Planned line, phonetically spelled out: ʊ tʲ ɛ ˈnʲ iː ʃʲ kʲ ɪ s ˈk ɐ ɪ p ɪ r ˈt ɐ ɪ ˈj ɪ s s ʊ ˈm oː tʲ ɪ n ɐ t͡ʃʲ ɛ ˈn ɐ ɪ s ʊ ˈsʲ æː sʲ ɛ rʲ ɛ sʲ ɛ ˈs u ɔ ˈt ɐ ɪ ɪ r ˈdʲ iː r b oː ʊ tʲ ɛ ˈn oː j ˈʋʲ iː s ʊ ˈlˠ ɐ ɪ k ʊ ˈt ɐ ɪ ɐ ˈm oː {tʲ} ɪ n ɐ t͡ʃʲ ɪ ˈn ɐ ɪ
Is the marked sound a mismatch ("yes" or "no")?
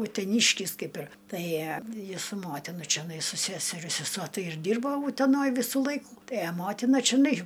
no